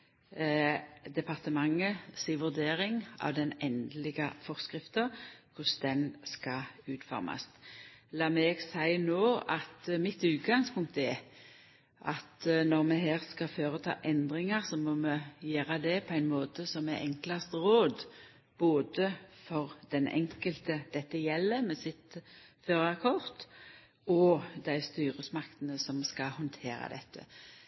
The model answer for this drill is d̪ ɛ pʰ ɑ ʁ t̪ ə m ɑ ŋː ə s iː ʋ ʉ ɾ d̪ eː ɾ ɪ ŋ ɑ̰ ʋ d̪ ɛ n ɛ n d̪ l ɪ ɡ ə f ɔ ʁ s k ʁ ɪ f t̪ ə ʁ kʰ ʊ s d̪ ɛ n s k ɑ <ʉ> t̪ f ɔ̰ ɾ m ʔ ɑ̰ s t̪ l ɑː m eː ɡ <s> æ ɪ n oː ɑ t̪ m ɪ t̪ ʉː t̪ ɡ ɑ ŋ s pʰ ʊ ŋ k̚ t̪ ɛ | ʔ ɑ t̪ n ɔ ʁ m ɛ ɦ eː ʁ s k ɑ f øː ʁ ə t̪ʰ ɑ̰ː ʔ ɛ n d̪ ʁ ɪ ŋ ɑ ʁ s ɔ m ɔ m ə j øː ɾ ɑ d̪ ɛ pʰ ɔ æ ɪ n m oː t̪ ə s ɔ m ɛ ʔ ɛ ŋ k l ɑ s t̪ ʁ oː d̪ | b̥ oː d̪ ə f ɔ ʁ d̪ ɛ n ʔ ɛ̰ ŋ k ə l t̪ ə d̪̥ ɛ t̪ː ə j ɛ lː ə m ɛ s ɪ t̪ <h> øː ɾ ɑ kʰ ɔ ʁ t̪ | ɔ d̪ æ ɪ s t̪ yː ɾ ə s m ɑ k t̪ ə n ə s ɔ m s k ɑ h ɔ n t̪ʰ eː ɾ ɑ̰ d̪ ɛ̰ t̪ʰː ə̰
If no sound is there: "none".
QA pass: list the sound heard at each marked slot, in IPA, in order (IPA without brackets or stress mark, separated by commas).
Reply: ʉː, s, f